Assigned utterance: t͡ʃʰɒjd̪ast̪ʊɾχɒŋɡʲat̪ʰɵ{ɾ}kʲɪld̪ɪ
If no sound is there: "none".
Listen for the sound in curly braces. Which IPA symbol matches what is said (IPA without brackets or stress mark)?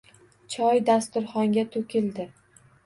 none